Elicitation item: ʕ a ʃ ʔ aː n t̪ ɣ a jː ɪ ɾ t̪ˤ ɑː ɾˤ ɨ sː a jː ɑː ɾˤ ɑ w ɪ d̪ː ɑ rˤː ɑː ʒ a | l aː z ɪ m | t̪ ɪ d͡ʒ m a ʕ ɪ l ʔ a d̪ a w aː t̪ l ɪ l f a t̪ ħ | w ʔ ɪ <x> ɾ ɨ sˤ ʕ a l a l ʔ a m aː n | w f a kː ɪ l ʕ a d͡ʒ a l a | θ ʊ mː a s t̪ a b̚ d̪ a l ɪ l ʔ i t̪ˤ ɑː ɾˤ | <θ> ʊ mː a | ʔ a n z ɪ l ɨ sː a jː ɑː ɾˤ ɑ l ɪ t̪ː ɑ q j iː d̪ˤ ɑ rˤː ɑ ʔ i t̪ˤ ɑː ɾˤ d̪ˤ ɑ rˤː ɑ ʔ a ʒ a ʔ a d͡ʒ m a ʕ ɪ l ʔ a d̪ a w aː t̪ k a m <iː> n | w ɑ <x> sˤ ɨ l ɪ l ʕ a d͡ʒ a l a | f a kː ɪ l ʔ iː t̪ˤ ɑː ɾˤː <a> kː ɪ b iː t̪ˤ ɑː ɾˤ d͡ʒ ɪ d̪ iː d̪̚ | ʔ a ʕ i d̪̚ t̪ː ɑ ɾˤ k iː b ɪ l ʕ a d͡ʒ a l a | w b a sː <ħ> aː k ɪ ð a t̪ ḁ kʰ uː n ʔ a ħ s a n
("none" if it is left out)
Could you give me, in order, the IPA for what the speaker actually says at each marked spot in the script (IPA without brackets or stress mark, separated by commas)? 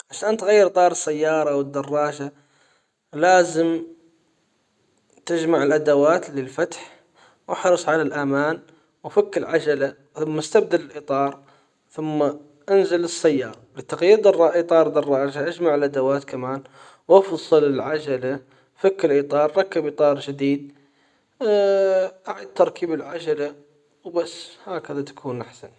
ħ, θ, aː, f, ɑ, h